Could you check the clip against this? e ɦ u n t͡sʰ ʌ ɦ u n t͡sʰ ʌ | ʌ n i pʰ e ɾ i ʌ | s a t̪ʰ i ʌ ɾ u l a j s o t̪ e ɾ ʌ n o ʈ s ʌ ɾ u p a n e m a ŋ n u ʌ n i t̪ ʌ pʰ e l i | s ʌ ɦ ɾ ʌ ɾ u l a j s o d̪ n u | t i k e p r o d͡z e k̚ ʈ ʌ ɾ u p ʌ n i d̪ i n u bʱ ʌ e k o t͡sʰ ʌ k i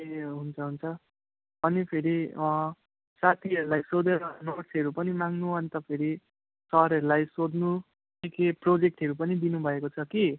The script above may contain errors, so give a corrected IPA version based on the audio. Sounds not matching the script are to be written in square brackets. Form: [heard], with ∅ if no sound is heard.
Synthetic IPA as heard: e ɦ u n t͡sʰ ʌ ɦ u n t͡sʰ ʌ | ʌ n i pʰ e ɾ i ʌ | s a t̪ʰ i ʌ ɾ u l a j s o [d̪] e ɾ ʌ n o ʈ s ʌ ɾ u p [ʌ] n [i] m a ŋ n u ʌ n i t̪ ʌ pʰ e [ɾ] i | s ʌ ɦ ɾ ʌ ɾ u l a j s o d̪ n u | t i k e p r o d͡z e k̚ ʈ ʌ ɾ u p ʌ n i d̪ i n u bʱ ʌ e k o t͡sʰ ʌ k i